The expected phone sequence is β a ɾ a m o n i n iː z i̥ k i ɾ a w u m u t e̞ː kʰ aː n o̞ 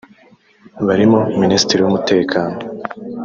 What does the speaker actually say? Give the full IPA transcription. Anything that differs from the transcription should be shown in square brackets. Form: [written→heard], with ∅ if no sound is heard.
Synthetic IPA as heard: β a ɾ [a→i] m o [n→m] i n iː [z→s] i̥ [k→t] i ɾ [a→i] w u m u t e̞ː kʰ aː n o̞

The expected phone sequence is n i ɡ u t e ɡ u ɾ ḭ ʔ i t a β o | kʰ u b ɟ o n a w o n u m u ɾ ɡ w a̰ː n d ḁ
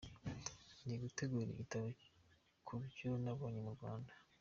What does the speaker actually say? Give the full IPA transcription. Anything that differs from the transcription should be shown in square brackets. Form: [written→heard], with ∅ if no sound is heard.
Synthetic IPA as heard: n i ɡ u t e ɡ u ɾ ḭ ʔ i t a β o | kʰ u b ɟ o n a [w→β] o [n→ɲ] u m u ɾ ɡ w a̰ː n d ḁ

